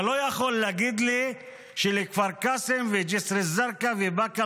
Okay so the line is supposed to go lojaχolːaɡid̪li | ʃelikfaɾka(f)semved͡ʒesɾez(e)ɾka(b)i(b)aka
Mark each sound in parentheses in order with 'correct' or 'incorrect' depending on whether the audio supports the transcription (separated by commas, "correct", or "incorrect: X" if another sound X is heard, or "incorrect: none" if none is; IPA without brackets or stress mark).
incorrect: none, incorrect: a, incorrect: v, correct